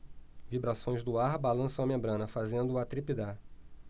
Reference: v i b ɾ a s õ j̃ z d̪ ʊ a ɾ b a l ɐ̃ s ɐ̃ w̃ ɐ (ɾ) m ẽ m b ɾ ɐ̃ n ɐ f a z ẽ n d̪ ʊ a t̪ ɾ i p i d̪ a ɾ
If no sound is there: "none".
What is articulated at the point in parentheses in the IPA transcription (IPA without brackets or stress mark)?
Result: none